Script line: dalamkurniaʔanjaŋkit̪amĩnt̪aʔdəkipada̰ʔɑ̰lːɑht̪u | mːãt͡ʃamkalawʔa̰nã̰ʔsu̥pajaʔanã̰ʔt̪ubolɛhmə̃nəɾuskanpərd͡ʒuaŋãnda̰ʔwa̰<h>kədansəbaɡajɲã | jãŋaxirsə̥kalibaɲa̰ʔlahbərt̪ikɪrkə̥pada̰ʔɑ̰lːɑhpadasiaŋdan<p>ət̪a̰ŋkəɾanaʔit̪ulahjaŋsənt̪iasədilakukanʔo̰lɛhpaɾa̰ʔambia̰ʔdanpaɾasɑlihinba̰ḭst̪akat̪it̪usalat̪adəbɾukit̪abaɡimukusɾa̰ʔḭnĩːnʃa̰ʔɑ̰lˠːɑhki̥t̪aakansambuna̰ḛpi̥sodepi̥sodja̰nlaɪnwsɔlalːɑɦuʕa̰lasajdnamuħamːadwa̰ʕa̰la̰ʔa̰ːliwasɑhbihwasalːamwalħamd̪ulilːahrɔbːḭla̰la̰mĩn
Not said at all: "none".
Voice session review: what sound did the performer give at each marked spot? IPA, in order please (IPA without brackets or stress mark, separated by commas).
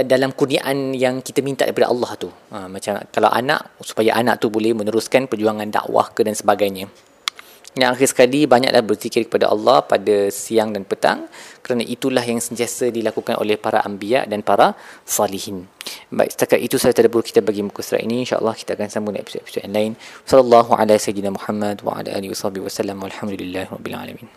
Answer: h, p